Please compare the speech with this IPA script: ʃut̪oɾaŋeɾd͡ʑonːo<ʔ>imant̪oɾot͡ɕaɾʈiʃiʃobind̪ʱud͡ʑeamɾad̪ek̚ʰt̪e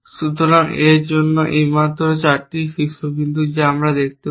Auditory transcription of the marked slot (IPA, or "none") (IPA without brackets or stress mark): ʔ